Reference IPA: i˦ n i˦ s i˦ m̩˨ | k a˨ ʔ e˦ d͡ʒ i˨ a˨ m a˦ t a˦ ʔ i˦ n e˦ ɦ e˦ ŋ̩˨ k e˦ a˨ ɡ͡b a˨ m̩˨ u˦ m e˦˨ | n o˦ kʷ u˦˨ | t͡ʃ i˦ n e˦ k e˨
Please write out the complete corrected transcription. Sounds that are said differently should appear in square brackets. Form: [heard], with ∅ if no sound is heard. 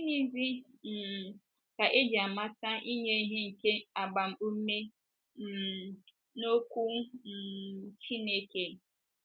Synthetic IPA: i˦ n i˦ [z] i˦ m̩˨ | k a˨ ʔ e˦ d͡ʒ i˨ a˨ m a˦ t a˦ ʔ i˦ [ɲ] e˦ ɦ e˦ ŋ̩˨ k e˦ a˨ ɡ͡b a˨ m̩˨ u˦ m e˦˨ | n o˦ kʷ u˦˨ | t͡ʃ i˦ n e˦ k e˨